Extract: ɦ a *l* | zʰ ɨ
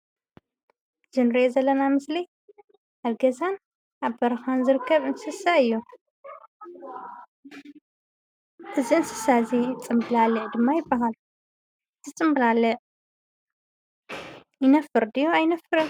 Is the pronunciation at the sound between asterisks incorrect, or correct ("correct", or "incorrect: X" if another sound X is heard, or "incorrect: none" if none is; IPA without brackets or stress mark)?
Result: correct